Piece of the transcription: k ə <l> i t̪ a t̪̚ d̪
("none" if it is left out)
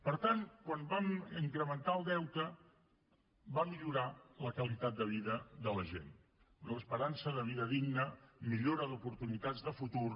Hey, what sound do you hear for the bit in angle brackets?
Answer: l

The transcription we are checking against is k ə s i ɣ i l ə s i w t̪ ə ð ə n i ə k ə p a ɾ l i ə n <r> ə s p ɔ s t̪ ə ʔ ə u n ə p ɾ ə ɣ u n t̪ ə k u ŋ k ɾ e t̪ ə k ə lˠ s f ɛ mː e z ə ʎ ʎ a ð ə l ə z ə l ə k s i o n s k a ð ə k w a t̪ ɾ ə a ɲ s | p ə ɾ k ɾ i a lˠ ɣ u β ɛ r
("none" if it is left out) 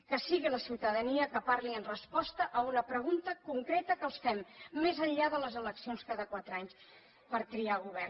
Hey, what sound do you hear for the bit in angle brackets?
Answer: r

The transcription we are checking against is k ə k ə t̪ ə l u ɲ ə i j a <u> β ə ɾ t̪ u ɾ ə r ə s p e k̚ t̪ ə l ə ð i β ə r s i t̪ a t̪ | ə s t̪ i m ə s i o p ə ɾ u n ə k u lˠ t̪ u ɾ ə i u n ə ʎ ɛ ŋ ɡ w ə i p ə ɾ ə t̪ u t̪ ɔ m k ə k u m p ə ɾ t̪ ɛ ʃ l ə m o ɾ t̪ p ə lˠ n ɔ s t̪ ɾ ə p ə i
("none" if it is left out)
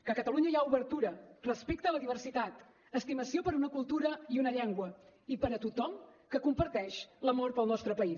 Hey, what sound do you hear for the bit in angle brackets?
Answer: u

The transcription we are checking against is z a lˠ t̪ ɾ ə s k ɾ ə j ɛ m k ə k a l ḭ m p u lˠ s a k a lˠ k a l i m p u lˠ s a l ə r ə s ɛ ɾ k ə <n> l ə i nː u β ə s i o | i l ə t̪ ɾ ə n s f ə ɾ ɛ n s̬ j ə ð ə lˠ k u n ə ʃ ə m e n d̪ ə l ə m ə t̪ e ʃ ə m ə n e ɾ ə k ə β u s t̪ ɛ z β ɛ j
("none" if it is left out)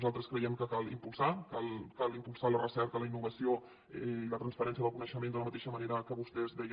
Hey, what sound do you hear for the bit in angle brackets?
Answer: none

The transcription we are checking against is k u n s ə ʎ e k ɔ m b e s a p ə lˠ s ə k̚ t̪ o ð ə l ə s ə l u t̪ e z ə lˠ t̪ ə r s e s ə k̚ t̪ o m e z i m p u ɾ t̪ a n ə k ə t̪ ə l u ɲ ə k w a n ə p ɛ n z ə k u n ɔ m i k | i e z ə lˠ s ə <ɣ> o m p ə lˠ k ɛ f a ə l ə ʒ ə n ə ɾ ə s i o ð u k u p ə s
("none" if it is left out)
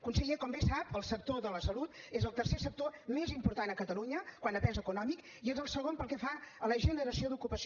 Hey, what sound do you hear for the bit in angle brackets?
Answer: ɣ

